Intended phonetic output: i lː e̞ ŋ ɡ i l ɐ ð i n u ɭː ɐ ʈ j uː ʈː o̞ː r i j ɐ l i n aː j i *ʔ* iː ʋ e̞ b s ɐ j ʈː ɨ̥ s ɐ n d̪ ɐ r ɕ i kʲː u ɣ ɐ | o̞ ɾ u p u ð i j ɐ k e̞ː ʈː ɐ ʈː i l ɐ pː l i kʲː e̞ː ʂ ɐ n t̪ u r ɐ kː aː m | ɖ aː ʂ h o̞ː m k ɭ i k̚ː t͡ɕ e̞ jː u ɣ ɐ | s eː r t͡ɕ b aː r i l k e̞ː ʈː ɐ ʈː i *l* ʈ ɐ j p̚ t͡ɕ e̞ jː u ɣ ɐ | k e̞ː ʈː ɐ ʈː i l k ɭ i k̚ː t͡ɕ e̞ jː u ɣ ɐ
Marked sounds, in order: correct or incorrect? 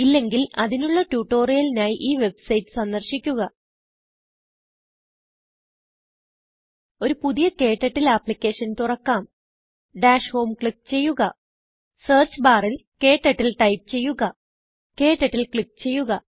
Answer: correct, correct

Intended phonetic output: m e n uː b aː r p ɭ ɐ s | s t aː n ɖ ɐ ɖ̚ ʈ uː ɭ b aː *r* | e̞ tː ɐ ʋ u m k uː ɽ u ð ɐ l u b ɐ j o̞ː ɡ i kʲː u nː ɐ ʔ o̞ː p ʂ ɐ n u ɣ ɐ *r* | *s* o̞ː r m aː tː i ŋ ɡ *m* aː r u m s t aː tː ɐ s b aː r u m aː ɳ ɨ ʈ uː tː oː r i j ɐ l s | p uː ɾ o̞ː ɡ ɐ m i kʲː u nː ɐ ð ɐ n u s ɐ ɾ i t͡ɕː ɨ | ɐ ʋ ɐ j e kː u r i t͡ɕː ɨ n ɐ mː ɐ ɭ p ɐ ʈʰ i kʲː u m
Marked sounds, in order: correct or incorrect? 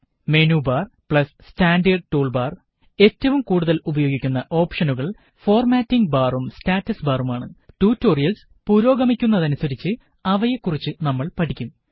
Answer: correct, incorrect, incorrect, incorrect

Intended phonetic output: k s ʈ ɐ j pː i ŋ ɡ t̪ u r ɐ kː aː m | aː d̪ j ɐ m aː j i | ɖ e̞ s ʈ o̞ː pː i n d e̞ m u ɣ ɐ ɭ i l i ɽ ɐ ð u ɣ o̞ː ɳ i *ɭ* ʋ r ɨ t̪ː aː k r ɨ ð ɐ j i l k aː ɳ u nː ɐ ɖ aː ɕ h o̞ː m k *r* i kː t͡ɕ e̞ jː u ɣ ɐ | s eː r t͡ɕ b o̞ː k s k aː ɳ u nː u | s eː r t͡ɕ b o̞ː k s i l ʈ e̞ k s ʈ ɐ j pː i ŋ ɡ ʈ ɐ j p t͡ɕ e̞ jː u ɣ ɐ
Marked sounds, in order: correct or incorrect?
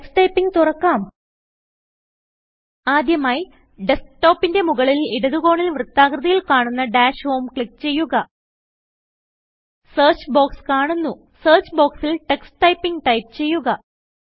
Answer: incorrect, incorrect

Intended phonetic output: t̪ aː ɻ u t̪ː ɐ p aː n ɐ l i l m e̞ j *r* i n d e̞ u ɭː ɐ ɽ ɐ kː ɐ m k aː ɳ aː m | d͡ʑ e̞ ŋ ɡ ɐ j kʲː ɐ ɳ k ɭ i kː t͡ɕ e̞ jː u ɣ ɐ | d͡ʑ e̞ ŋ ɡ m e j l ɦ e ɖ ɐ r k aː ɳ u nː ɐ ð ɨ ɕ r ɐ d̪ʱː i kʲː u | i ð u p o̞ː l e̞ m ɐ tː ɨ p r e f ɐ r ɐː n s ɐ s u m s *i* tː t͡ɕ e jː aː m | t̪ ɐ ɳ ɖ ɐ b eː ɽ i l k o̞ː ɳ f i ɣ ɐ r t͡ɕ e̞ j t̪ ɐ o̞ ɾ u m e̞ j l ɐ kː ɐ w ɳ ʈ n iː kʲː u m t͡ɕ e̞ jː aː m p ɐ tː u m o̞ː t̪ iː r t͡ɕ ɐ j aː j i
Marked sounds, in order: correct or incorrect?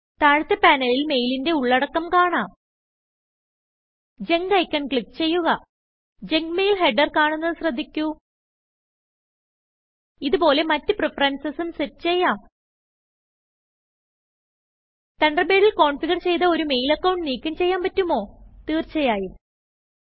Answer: incorrect, incorrect

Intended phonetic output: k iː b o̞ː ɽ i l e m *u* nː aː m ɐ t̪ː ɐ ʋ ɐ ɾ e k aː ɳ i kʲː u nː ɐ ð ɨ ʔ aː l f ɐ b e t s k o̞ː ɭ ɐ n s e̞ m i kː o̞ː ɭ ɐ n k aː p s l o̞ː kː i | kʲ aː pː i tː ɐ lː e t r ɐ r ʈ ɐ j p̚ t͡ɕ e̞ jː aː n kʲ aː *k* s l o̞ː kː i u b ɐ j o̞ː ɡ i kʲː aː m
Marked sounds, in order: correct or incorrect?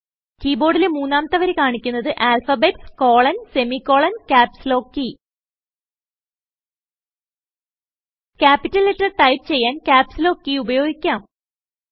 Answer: incorrect, incorrect

